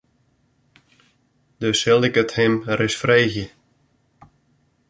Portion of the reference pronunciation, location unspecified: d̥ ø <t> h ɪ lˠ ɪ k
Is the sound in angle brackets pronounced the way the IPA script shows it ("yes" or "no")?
no